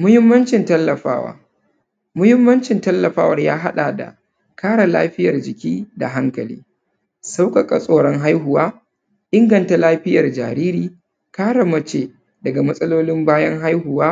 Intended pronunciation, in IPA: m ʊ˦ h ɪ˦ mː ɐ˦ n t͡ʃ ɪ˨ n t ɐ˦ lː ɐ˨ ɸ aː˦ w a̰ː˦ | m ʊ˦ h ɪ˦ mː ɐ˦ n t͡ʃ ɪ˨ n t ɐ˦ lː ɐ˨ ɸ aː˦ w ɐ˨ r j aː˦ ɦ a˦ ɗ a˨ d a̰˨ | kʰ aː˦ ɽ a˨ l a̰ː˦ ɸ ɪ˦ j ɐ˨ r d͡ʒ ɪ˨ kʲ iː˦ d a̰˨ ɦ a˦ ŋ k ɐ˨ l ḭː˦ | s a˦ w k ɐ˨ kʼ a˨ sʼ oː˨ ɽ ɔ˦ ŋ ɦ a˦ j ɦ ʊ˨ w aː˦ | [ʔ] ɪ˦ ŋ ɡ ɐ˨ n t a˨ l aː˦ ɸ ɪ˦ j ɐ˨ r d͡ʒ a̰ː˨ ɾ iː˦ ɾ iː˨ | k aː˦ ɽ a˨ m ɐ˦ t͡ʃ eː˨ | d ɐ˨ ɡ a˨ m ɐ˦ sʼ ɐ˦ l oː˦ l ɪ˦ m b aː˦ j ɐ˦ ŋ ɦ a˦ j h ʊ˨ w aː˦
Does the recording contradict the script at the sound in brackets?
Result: no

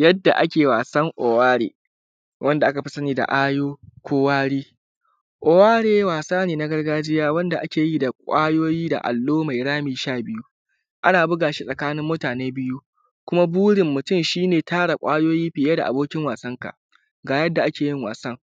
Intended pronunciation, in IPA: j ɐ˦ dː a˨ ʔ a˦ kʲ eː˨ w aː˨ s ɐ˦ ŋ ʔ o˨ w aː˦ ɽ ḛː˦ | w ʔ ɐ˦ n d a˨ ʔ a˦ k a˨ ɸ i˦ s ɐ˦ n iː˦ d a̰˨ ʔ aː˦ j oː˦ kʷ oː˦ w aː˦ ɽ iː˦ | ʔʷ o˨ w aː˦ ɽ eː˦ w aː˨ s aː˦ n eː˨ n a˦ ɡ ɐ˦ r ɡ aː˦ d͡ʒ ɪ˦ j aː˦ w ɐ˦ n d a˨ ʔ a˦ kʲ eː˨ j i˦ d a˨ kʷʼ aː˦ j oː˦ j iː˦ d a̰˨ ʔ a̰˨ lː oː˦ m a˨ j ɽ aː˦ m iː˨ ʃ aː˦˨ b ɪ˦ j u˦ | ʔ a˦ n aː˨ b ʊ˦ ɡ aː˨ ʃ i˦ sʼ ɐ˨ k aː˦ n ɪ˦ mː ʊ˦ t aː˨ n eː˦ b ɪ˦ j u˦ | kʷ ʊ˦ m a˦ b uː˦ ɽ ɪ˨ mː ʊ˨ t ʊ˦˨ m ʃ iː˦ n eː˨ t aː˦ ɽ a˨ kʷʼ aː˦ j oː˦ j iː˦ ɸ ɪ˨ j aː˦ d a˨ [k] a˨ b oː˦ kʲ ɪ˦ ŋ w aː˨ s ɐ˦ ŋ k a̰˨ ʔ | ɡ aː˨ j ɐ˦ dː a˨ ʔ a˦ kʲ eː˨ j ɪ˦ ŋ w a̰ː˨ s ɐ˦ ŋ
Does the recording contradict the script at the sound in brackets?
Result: yes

